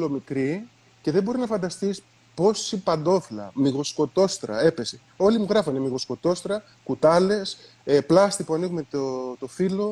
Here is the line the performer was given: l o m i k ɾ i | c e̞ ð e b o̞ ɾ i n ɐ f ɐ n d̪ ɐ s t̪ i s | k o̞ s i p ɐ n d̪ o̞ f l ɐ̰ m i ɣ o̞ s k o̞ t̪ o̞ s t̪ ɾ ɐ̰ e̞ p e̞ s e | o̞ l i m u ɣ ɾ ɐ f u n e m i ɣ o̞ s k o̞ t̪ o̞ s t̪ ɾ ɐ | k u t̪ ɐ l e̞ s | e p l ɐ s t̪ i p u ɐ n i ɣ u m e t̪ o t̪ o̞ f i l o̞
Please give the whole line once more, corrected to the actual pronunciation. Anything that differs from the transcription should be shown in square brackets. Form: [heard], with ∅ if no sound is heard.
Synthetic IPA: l o m i k ɾ i | c e̞ ð e b o̞ ɾ i n ɐ f ɐ n d̪ ɐ s t̪ i s | [p] o̞ s i p ɐ n d̪ o̞ f l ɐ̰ m i ɣ o̞ s k o̞ t̪ o̞ s t̪ ɾ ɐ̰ e̞ p e̞ s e | o̞ l i m u ɣ ɾ ɐ f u n e m i ɣ o̞ s k o̞ t̪ o̞ s t̪ ɾ ɐ | k u t̪ ɐ l e̞ s | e p l ɐ s t̪ i p u ɐ n i ɣ u m e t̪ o t̪ o̞ f i l o̞